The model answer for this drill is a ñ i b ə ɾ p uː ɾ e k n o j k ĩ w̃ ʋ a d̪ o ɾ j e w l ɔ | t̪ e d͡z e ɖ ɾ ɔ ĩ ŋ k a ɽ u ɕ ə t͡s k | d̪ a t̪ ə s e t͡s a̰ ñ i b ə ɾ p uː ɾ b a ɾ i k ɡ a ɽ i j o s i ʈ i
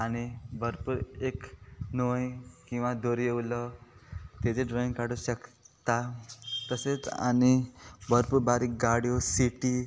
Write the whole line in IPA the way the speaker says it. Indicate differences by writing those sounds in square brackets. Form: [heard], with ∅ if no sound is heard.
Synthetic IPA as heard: a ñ i b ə ɾ p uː ɾ e k n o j k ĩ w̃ ʋ a d̪ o ɾ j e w l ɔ | t̪ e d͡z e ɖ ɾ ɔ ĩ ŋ k a ɽ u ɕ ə [∅] k | [t̪] a t̪ ə s e t͡s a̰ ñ i b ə ɾ p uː ɾ b a ɾ i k ɡ a ɽ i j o s i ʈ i